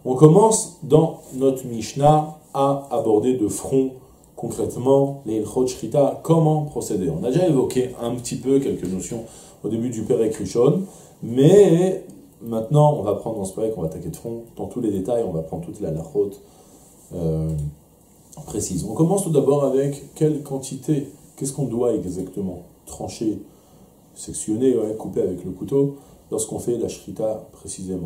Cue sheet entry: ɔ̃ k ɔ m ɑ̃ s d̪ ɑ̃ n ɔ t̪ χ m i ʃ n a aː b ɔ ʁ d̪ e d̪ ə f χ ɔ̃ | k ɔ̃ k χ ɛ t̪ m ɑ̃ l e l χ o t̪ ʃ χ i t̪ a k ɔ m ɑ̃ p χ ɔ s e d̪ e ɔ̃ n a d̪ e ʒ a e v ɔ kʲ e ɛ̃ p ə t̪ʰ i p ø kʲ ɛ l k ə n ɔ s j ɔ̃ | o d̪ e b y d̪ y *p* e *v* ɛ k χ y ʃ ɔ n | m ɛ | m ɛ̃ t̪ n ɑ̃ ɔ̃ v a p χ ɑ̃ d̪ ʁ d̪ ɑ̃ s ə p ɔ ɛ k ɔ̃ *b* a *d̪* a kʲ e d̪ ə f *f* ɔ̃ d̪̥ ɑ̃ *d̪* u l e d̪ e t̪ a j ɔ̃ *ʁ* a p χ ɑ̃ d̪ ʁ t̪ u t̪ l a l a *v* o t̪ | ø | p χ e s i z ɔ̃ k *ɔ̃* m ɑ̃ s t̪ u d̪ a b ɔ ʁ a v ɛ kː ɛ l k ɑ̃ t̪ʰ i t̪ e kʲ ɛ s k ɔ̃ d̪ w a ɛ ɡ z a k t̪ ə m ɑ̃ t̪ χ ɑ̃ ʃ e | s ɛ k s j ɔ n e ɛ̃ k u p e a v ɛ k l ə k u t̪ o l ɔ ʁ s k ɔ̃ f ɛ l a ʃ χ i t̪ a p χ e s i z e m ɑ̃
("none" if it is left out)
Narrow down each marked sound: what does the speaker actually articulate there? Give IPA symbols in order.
p, ʁ, v, t̪, χ, t̪, v, ʁ, ɔ

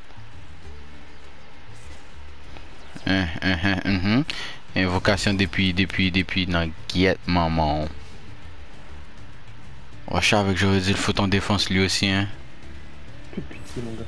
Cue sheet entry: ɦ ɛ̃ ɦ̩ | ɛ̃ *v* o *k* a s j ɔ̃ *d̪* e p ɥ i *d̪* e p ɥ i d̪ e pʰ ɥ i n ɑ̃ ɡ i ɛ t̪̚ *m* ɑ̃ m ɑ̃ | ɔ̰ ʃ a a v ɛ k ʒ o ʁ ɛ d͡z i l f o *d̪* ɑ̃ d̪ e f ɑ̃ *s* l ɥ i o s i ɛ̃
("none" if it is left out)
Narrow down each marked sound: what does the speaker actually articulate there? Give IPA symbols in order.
v, k, d̪, d̪, m, t̪, s

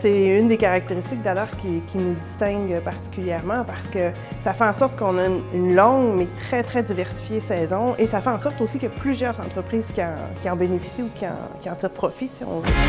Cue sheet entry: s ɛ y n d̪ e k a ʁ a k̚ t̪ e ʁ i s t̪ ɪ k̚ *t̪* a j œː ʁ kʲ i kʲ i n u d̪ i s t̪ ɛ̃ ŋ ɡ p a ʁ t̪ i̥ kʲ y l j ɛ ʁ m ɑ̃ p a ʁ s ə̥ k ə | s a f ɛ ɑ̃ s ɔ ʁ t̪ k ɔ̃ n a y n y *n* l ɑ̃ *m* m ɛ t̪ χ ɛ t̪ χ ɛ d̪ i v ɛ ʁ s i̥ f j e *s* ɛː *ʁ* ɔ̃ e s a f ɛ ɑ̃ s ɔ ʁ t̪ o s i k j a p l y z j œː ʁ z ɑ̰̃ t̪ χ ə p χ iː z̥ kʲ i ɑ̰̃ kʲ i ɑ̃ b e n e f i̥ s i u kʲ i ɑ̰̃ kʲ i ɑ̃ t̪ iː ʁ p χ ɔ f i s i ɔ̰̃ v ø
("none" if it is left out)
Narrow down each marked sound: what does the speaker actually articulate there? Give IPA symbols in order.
d̪, n, ŋ, s, z

